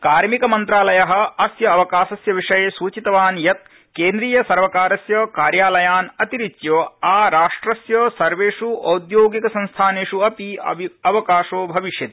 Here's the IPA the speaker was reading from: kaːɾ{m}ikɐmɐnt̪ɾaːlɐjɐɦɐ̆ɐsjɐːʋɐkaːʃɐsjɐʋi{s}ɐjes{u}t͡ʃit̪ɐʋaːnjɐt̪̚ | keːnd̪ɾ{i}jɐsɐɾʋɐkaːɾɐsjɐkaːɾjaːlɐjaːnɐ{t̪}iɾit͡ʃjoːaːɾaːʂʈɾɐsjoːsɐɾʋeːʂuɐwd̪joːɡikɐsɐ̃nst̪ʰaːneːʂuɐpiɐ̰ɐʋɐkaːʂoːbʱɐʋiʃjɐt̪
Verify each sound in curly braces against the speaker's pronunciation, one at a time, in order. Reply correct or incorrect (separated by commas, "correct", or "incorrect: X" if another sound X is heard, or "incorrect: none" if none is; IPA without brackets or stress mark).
correct, incorrect: ʂ, incorrect: uː, incorrect: iː, correct